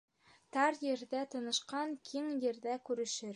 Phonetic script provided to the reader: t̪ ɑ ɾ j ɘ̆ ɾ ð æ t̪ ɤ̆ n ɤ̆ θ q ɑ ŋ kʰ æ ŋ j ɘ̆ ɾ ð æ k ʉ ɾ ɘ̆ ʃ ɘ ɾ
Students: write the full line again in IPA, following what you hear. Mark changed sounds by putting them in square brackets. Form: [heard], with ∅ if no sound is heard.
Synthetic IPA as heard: t̪ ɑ ɾ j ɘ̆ ɾ ð æ t̪ ɤ̆ n ɤ̆ [ʃ] q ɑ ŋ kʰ [i] ŋ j ɘ̆ ɾ ð æ k ʉ ɾ ɘ̆ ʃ ɘ ɾ